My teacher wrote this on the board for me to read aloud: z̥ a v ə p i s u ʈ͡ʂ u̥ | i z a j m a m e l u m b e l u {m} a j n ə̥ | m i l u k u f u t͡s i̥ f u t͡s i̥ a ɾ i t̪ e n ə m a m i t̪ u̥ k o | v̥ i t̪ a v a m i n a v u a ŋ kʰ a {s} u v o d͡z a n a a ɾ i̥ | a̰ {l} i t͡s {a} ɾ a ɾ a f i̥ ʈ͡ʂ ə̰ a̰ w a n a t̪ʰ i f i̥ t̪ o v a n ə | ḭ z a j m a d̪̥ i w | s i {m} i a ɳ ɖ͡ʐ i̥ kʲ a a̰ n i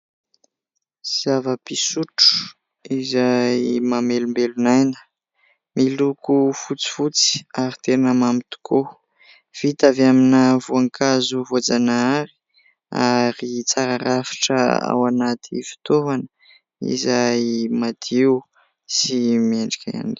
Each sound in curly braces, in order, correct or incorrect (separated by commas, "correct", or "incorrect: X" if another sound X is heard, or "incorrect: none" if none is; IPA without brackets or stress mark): incorrect: n, incorrect: z, incorrect: ɾ, correct, correct